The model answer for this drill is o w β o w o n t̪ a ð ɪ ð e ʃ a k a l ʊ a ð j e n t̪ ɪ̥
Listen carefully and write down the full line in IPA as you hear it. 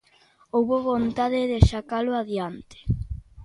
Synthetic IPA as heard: o w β o β o n t̪ a ð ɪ ð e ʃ a k a l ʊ a ð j a n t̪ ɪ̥